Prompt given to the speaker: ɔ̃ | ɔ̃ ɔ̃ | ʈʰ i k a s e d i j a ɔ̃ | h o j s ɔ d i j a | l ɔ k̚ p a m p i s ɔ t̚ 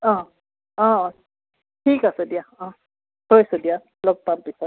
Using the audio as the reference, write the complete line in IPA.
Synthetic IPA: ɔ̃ | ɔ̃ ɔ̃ | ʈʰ i k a s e d i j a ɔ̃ | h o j s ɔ d i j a | l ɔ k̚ p a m p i s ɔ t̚